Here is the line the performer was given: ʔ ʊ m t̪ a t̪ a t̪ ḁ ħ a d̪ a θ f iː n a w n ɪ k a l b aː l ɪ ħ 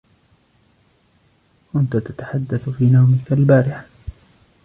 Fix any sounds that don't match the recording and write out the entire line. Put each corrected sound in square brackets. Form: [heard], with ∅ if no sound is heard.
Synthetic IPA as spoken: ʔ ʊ [n] t̪ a t̪ a t̪ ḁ ħ a [d̪ː] a θ f iː n a w [m] ɪ k a l b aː [ɾ] ɪ ħ